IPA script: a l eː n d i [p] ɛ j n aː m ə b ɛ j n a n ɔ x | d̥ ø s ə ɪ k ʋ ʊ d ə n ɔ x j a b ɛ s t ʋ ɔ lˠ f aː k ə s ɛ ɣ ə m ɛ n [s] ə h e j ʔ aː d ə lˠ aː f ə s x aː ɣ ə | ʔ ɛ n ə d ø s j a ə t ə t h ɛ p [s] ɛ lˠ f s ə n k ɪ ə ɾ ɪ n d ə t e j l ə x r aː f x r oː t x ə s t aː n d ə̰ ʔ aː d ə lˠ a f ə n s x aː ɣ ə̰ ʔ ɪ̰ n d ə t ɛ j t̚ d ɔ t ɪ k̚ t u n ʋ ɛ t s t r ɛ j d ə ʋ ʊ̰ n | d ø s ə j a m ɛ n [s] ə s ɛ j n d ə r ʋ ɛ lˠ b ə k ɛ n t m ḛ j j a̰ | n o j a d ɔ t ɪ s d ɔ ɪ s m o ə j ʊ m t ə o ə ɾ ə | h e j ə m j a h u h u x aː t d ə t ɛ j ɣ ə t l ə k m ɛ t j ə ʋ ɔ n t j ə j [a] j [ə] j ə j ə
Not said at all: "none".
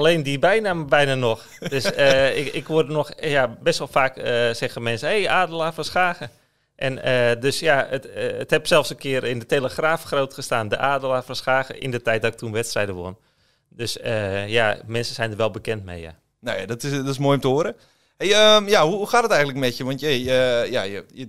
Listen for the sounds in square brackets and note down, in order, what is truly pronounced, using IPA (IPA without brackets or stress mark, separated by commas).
b, s, s, s, ə, a